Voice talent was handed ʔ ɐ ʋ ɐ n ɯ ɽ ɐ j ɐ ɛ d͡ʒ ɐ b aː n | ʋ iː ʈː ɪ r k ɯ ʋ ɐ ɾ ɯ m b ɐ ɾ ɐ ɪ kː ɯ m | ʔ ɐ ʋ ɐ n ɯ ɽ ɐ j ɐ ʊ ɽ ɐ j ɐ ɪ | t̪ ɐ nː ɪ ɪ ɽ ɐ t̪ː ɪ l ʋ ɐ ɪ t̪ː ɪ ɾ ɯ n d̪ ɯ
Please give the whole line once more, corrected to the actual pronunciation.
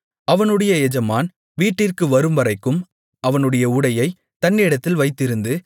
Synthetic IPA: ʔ ɐ ʋ ɐ n ɯ ɽ ɐ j ɐ ɛ d͡ʒ ɐ m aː n | ʋ iː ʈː ɪ r k ɯ ʋ ɐ ɾ ɯ m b ɐ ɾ ɐ ɪ kː ɯ m | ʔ ɐ ʋ ɐ n ɯ ɽ ɐ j ɐ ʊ ɽ ɐ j ɐ ɪ | t̪ ɐ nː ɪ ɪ ɽ ɐ t̪ː ɪ l ʋ ɐ ɪ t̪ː ɪ ɾ ɯ n d̪ ɯ